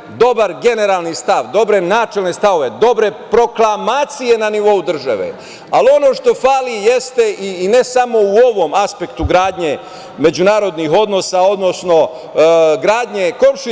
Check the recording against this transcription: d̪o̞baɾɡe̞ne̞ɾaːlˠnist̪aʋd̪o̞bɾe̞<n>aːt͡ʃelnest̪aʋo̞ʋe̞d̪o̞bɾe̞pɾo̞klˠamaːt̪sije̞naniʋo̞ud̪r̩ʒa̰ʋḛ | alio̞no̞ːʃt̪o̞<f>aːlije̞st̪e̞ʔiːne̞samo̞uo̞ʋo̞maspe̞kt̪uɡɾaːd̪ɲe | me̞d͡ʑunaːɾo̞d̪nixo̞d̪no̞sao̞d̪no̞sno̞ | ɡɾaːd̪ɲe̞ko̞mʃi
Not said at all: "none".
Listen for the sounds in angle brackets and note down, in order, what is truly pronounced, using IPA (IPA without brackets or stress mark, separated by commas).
n, f